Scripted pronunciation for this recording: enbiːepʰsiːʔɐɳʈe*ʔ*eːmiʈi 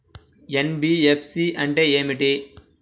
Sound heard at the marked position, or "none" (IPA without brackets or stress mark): none